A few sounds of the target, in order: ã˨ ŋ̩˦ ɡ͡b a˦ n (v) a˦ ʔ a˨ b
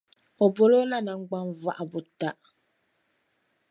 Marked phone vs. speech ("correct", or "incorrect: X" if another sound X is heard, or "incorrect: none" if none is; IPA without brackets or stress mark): correct